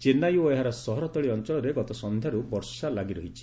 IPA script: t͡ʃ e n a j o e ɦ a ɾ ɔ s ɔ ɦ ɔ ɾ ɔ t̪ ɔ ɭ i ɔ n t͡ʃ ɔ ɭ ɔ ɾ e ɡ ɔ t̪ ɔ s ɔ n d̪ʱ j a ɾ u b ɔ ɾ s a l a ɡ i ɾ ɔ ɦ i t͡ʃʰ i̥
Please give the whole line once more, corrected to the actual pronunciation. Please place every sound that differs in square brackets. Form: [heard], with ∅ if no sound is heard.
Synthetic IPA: t͡ʃ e n a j o e ɦ a ɾ ɔ s ɔ ɦ ɔ ɾ ɔ t̪ ɔ ɭ i ɔ n t͡ʃ ɔ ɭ ɔ ɾ e ɡ ɔ t̪ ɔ s ɔ n d̪ʱ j a ɾ u b ɔ ɾ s a l a ɡ i ɾ ɔ ɦ i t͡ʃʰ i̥